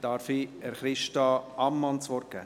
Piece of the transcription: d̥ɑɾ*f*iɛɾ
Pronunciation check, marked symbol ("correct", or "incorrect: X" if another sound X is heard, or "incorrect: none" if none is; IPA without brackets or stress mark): correct